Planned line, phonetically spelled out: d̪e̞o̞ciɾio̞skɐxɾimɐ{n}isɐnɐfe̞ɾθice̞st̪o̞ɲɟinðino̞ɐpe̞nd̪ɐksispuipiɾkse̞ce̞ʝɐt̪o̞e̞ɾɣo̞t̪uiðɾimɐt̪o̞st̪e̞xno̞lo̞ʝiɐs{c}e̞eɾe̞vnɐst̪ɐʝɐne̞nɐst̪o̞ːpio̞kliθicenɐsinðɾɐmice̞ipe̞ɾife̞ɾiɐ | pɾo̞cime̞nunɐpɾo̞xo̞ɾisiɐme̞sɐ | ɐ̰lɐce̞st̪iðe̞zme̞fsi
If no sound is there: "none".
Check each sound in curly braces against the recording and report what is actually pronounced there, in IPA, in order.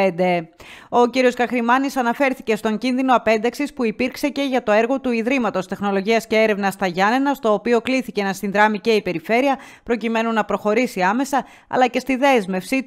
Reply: n, c

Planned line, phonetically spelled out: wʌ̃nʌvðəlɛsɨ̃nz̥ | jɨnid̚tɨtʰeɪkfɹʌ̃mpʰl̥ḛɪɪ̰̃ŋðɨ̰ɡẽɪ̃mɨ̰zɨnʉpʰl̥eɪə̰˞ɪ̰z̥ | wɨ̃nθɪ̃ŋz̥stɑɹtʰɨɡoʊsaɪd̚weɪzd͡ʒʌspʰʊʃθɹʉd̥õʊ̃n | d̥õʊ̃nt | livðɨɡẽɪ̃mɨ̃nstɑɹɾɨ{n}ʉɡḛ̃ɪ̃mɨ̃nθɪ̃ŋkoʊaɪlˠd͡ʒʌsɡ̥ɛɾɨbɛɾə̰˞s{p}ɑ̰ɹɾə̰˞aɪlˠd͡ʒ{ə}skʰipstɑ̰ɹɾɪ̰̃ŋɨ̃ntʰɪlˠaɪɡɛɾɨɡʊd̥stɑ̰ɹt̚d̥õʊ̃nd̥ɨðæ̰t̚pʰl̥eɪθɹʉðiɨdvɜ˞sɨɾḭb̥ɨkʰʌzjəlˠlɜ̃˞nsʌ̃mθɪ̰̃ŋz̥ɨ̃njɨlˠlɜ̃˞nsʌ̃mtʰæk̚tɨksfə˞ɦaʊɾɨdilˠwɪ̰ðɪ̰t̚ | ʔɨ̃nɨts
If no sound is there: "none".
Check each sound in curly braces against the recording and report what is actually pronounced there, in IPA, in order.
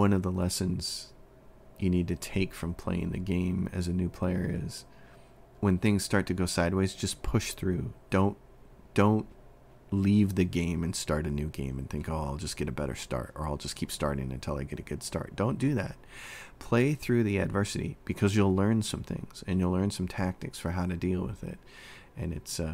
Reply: n, t, ʌ

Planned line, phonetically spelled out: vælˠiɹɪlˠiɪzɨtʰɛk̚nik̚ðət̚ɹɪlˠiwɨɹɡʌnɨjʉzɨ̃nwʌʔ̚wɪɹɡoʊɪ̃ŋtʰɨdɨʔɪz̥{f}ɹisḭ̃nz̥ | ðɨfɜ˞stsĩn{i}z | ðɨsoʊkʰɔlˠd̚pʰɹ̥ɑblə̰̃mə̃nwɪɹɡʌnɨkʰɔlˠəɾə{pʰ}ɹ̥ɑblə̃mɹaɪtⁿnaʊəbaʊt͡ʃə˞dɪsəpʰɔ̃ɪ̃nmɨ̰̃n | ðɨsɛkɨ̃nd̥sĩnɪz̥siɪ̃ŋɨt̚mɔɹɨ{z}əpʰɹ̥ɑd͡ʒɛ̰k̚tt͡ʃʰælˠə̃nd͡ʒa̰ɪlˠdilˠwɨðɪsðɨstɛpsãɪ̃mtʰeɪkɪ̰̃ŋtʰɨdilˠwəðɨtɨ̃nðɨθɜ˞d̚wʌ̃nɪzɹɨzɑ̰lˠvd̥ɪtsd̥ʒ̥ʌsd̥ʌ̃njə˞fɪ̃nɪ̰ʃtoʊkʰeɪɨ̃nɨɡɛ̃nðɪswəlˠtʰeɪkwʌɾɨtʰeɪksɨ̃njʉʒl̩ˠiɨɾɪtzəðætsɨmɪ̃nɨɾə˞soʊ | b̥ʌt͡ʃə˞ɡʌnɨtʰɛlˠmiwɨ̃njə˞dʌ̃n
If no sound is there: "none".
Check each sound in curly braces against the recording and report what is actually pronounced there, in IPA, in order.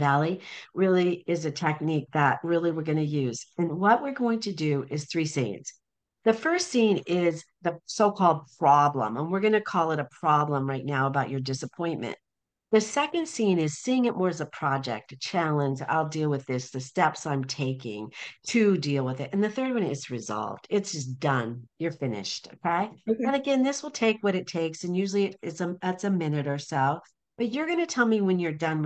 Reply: θ, ɪ, pʰ, z

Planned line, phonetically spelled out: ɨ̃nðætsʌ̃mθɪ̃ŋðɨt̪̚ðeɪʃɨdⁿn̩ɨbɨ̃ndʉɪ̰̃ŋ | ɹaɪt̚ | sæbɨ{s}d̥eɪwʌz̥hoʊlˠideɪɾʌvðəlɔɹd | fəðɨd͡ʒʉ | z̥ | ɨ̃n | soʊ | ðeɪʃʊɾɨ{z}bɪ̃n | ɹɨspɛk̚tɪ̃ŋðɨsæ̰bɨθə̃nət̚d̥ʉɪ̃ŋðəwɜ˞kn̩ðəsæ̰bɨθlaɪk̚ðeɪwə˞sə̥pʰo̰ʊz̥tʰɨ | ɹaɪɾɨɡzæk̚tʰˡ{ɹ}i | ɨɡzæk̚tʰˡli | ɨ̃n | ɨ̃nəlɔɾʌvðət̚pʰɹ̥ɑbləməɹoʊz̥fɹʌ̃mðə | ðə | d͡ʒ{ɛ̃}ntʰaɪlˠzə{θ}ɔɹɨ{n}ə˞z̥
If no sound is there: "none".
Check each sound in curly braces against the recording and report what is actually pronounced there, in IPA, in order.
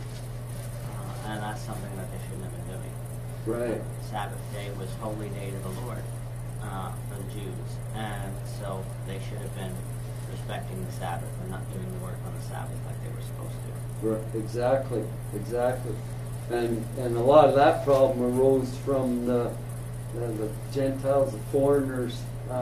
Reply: θ, v, l, ɛ̃, f, n

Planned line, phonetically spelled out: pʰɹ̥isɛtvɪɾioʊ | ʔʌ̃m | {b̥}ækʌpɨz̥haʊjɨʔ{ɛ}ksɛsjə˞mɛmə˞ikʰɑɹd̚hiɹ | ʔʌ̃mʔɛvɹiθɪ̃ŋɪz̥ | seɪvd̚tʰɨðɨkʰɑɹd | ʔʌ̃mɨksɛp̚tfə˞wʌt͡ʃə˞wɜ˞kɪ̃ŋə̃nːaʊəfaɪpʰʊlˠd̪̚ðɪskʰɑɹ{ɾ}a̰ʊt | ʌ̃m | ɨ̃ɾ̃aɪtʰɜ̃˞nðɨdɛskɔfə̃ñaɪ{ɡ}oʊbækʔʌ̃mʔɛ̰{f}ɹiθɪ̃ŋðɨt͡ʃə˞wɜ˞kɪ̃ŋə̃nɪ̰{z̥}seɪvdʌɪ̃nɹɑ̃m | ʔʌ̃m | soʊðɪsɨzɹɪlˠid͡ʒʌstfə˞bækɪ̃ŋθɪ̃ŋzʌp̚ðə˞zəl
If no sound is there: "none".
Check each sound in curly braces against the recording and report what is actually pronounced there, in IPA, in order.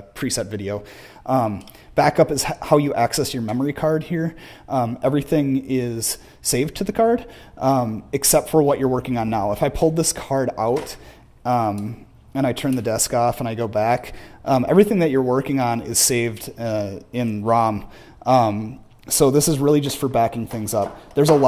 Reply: b̥, æ, ɾ, ɡ, v, z̥

